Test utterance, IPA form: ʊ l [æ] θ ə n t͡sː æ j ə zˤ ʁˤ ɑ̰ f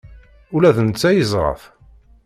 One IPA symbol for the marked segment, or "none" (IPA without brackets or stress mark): æ